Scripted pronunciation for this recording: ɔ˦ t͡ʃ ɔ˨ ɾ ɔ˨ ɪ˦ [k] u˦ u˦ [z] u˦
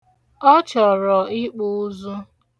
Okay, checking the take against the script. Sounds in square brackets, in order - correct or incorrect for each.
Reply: incorrect, correct

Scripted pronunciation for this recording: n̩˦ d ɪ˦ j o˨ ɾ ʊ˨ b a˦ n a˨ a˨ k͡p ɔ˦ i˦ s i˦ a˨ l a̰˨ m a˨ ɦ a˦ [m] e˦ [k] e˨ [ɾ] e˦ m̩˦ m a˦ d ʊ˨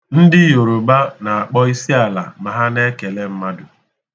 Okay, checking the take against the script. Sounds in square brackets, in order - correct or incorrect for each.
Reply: incorrect, correct, incorrect

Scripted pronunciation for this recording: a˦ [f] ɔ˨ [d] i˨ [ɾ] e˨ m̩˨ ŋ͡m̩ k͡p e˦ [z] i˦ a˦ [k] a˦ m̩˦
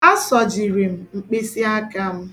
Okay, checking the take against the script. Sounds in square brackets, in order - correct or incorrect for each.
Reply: incorrect, incorrect, correct, incorrect, correct

